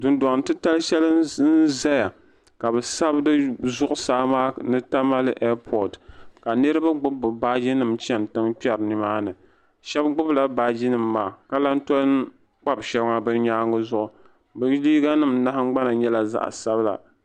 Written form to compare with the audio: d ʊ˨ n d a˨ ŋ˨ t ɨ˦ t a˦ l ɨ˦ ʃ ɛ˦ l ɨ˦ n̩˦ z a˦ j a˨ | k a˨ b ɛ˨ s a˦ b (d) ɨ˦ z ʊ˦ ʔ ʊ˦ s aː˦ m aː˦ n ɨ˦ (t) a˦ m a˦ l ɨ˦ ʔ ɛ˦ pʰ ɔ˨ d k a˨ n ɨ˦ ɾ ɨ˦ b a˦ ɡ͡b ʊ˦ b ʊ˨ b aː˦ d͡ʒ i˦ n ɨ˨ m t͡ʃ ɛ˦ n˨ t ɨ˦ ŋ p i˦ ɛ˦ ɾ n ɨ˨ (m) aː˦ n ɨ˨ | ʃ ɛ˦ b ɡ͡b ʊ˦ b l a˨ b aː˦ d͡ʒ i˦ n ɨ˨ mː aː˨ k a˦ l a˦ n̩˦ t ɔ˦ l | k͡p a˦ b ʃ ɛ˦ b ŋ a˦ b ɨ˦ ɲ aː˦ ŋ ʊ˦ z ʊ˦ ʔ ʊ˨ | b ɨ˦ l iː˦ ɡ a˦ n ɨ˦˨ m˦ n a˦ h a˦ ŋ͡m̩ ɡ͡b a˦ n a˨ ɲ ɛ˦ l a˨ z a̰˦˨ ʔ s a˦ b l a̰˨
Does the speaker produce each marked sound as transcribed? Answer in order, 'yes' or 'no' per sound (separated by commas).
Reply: yes, yes, yes